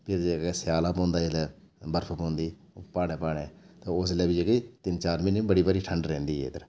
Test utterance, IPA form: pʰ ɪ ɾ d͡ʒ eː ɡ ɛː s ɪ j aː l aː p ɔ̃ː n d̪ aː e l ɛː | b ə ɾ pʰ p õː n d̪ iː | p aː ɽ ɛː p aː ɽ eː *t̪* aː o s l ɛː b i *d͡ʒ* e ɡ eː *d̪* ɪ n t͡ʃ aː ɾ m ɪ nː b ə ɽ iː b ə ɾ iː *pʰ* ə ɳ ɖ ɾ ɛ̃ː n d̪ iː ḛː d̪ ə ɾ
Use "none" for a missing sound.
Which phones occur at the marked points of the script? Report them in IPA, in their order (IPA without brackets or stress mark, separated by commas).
t̪, d͡ʒ, t̪, ʈʰ